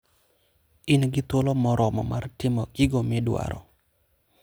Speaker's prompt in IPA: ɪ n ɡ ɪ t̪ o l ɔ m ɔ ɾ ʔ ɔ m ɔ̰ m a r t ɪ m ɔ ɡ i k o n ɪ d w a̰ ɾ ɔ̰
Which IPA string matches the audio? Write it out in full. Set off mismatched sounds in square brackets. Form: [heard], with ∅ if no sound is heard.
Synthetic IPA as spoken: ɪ n ɡ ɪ t̪ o l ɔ m ɔ ɾ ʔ ɔ m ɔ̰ m a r t ɪ m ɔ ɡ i [ɡ] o [m] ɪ d w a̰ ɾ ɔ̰